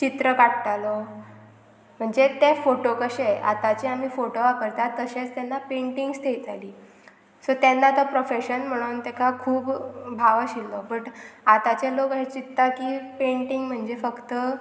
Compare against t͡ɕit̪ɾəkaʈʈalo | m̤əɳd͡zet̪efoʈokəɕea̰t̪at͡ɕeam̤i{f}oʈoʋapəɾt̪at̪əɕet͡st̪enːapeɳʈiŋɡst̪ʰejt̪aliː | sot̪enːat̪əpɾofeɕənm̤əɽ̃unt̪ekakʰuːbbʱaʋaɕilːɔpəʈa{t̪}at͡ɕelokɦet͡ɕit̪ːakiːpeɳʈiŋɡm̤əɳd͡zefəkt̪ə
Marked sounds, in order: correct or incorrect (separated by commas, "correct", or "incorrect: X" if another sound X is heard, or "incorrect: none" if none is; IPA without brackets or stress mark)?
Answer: correct, correct